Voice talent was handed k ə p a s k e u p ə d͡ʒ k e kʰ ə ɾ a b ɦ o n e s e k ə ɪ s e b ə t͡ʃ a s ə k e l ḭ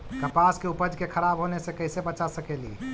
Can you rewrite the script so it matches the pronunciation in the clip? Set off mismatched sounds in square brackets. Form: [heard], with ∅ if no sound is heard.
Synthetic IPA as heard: k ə p a s k e u p ə d͡ʒ k e kʰ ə ɾ a b ɦ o n e s e k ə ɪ s e b ə t͡ʃ a s ə k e l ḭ

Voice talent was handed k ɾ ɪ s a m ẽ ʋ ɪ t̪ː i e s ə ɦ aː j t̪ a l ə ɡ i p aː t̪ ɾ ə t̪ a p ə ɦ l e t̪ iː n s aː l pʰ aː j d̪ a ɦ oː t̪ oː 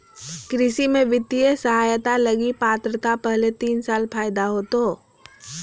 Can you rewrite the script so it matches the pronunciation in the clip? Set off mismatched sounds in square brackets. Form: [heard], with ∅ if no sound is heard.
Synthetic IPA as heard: k ɾ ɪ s [i] m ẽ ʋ ɪ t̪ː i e s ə ɦ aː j t̪ a l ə ɡ i p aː t̪ ɾ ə t̪ a p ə ɦ l e t̪ iː n s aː l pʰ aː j d̪ a ɦ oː t̪ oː

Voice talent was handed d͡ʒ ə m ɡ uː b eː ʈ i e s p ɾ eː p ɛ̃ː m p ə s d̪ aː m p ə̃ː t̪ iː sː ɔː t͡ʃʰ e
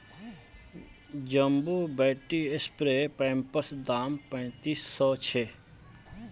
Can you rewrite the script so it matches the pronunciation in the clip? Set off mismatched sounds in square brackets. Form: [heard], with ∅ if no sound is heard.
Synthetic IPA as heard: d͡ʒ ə m [b] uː b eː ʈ i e s p ɾ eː p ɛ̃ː m p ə s d̪ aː m p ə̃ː t̪ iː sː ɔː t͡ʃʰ e

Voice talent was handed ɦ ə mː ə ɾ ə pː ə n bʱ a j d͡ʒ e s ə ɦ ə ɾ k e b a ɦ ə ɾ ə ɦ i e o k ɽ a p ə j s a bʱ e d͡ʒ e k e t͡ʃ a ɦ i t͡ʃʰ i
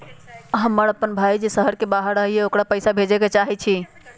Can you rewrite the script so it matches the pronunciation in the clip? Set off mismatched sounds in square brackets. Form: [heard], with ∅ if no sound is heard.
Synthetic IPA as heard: ɦ ə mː ə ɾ ə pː ə n bʱ a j d͡ʒ e s ə ɦ ə ɾ k e b a ɦ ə ɾ ə ɦ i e o k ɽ a p ə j s a bʱ e d͡ʒ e k e t͡ʃ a ɦ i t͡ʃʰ i

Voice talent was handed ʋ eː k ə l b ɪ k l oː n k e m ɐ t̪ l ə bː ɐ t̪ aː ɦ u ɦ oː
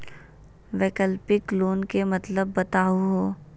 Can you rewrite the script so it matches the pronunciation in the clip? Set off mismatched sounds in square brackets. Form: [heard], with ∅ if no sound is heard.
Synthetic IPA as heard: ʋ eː k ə l [p] ɪ k l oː n k e m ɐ t̪ l ə bː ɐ t̪ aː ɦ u ɦ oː

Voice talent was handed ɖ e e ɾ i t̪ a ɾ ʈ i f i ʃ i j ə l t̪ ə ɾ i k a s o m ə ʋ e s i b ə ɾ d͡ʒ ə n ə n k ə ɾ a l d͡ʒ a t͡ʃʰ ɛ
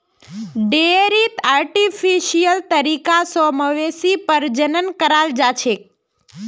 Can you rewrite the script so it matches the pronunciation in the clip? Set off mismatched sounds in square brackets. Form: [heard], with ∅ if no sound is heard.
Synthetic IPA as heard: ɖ e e ɾ i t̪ a ɾ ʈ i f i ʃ i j ə l t̪ ə ɾ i k a s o m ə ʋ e s i [p] ə ɾ d͡ʒ ə n ə n k ə ɾ a l d͡ʒ a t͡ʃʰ [e]

